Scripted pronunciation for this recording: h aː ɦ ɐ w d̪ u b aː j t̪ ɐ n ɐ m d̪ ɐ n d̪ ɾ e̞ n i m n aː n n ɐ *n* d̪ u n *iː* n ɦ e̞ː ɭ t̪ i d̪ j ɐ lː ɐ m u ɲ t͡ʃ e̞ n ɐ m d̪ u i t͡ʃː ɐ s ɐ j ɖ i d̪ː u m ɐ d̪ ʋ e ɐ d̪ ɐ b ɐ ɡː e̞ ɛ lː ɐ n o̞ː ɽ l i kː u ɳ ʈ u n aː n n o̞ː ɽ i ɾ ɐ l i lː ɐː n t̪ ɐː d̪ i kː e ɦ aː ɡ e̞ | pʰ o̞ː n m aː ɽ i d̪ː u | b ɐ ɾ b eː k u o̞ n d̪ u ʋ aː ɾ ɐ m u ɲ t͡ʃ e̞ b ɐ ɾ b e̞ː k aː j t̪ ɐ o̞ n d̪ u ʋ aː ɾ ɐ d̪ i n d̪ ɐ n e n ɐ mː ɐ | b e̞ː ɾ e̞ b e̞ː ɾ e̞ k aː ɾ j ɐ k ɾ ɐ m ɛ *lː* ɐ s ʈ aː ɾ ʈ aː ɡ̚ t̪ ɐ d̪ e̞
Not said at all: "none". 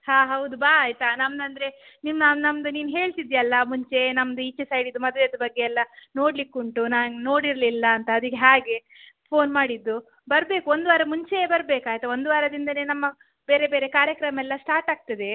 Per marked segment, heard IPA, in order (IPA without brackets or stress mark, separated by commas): m, iː, lː